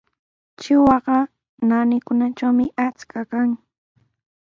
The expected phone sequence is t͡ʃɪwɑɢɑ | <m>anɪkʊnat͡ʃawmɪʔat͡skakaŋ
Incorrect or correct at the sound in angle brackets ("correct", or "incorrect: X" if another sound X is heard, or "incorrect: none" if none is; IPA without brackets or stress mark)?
incorrect: n